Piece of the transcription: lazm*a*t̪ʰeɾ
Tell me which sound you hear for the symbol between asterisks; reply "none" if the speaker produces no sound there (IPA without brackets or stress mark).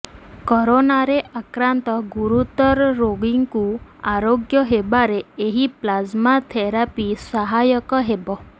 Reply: a